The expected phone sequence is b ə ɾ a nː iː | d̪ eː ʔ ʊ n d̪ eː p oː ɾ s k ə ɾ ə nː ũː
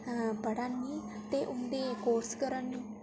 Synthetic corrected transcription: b ə ɽ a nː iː | t̪ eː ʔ ʊ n d̪ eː k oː ɾ s k ə ɾ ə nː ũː